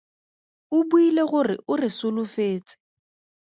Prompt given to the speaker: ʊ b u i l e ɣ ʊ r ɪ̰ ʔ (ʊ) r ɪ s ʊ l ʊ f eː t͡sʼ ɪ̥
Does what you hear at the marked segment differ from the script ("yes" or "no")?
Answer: no